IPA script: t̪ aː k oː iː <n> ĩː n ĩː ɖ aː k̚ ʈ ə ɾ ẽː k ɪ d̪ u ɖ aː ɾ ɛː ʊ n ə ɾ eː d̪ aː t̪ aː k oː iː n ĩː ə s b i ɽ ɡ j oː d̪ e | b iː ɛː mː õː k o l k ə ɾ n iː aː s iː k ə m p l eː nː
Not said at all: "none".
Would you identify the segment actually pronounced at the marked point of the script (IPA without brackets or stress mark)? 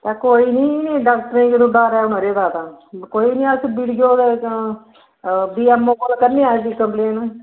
n